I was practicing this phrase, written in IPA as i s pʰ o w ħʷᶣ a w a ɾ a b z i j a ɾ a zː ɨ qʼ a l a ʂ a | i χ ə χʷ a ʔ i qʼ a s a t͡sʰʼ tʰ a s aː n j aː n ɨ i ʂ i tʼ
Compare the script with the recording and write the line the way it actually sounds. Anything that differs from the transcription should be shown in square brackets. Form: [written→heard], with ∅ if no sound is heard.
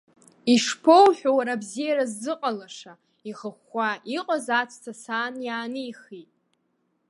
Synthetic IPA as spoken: i [s→ʂ] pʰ o w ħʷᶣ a w a ɾ a b z i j a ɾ a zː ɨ qʼ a l a ʂ a | i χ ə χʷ a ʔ i qʼ a [s→z] a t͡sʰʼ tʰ a s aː n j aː n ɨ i [ʂ→χ] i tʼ